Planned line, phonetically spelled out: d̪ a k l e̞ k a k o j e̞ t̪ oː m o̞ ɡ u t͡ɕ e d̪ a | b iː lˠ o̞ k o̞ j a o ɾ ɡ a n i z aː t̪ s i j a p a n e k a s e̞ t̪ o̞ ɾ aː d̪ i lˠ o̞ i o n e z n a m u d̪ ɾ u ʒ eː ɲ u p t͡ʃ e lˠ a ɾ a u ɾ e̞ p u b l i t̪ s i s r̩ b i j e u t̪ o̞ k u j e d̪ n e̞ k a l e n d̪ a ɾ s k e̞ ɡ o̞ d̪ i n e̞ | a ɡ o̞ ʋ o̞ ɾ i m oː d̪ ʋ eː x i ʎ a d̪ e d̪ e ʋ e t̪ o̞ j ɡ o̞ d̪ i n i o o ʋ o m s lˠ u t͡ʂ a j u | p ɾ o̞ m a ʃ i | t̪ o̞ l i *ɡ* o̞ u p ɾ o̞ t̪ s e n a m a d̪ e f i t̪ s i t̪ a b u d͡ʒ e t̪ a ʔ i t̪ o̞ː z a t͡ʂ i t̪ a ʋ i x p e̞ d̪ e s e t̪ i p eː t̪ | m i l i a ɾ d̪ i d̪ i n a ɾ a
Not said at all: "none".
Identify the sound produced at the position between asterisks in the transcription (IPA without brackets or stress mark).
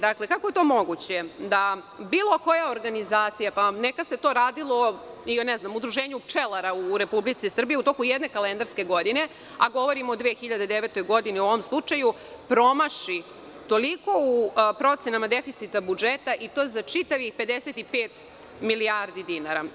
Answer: k